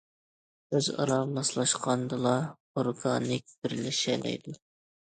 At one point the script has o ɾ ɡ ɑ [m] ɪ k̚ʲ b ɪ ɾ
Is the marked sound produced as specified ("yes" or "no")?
no